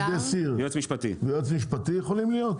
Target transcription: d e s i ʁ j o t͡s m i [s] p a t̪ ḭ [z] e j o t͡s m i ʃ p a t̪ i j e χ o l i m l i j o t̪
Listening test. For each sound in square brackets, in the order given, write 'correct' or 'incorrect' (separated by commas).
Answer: incorrect, incorrect